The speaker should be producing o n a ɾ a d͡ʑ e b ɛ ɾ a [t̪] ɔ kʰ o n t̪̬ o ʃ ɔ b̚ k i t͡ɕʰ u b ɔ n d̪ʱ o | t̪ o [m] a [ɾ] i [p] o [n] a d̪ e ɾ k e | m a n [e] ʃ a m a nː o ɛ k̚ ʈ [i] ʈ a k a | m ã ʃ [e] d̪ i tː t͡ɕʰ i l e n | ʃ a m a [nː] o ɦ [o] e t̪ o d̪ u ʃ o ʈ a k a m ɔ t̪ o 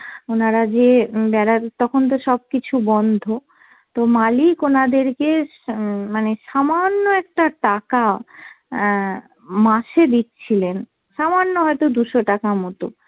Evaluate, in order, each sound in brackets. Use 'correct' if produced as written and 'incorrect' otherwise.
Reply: correct, correct, incorrect, incorrect, correct, correct, incorrect, correct, correct, incorrect

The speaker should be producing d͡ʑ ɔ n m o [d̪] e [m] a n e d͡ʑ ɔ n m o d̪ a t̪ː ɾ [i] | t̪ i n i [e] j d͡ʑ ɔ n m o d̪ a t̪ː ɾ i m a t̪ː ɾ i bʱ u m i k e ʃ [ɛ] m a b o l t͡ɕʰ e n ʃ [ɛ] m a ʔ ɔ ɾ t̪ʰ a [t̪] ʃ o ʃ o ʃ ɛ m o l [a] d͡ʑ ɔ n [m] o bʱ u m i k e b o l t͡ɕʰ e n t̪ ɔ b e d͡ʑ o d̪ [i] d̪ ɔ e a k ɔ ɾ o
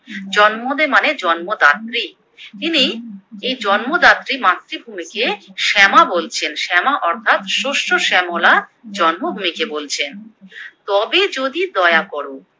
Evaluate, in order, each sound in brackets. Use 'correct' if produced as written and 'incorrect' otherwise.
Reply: correct, correct, correct, correct, correct, correct, correct, correct, correct, correct

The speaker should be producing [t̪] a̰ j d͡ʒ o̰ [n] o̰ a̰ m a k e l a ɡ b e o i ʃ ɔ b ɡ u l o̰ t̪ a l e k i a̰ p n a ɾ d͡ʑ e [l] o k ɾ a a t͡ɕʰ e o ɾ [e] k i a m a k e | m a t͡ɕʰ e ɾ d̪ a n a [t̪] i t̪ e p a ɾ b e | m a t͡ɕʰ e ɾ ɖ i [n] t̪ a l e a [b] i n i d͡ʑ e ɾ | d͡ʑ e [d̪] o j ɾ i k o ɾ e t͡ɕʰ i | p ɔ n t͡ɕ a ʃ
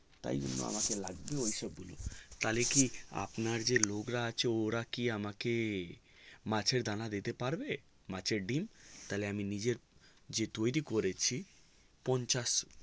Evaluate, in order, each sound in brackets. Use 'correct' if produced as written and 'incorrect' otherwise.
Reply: correct, incorrect, correct, incorrect, incorrect, incorrect, incorrect, incorrect

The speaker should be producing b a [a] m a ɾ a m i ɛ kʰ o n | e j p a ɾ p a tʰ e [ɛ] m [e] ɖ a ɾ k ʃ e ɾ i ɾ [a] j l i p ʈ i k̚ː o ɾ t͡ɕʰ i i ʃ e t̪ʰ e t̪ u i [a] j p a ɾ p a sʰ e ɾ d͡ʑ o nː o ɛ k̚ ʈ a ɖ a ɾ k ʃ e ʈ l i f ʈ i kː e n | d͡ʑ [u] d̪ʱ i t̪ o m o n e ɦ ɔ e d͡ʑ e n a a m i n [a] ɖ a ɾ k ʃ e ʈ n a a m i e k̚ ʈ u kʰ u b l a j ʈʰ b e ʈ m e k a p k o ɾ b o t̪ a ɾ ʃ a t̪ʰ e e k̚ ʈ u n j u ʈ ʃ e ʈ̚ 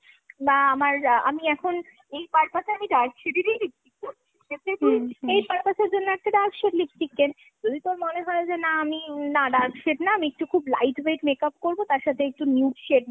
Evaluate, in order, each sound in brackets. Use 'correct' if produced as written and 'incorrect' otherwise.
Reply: correct, incorrect, incorrect, incorrect, incorrect, incorrect, correct

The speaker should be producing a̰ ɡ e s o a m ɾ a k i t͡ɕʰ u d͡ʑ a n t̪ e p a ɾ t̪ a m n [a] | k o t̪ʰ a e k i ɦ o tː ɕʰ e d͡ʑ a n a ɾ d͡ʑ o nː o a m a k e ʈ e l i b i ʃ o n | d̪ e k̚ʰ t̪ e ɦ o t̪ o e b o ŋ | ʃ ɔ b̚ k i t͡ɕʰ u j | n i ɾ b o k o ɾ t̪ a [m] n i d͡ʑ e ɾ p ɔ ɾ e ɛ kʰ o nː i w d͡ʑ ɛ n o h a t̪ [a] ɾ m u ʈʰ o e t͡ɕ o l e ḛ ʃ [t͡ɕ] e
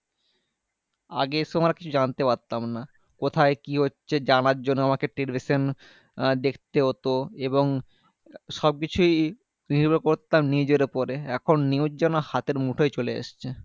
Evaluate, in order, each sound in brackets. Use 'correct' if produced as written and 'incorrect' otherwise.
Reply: correct, correct, incorrect, incorrect

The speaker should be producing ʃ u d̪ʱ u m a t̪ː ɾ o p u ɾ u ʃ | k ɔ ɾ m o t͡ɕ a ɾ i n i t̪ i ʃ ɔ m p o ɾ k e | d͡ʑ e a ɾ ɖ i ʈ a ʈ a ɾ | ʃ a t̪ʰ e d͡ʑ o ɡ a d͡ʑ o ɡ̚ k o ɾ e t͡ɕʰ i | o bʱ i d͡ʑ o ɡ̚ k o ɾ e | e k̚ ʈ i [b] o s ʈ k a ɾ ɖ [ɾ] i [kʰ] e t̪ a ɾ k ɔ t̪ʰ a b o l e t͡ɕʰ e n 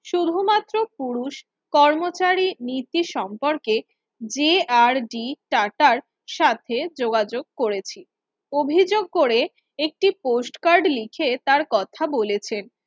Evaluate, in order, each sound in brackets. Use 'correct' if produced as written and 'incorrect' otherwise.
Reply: incorrect, incorrect, correct

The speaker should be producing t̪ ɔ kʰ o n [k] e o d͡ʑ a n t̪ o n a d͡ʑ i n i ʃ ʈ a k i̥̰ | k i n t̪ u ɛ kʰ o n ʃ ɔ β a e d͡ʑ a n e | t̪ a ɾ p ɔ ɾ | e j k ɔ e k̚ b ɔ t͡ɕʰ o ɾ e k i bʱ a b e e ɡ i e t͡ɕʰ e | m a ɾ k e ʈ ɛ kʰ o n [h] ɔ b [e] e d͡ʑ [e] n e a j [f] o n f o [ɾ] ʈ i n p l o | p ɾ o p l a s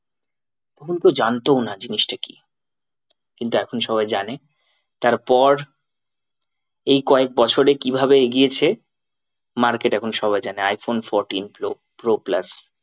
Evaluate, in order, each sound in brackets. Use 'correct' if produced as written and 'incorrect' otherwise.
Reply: correct, incorrect, incorrect, incorrect, correct, correct

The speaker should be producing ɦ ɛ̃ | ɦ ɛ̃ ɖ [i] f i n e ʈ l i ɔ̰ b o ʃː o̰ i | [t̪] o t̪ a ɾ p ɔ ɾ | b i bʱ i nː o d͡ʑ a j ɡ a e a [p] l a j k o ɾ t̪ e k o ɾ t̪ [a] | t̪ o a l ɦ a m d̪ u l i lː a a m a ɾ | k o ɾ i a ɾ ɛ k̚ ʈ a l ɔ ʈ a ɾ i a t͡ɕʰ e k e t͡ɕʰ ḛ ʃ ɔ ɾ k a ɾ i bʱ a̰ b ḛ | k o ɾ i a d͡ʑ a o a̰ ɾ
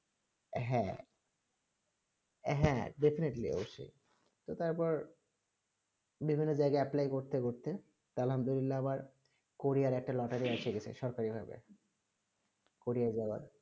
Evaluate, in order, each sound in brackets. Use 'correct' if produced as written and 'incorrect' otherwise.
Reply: incorrect, correct, correct, incorrect

